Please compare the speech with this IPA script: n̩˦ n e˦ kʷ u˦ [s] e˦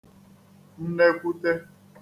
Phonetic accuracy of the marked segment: incorrect: t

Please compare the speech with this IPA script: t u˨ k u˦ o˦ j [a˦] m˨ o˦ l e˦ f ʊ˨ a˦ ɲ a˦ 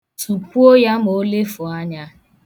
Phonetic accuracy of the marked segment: correct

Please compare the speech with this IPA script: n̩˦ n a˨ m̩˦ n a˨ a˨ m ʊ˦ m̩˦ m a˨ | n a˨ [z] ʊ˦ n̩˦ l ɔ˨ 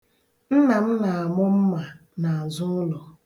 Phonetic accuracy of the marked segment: correct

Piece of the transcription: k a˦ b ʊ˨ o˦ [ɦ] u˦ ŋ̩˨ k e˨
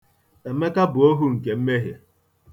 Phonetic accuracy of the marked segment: correct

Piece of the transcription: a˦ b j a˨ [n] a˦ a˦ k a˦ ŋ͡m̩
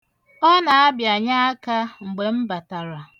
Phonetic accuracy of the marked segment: incorrect: ɲ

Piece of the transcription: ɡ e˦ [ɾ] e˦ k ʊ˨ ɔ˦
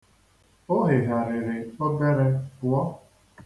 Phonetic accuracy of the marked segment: correct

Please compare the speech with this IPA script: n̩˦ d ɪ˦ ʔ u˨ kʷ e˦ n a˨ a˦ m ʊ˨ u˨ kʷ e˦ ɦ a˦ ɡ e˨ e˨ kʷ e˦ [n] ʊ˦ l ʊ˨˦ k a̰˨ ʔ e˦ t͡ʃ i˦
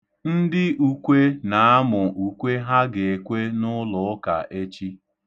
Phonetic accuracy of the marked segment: correct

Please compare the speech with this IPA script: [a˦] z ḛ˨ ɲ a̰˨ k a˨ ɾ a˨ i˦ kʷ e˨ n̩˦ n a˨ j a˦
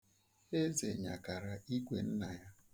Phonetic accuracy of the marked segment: incorrect: e˦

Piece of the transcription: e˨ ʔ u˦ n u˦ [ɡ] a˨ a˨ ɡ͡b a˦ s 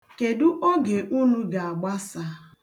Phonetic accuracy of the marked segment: correct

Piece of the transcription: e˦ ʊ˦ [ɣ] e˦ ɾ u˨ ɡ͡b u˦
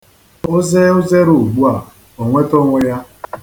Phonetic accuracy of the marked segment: incorrect: z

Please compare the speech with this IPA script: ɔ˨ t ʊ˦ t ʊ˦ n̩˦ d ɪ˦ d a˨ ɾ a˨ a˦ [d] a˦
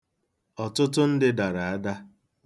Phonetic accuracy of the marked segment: correct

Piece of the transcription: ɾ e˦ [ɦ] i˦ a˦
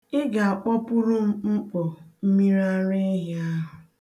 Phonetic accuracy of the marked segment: correct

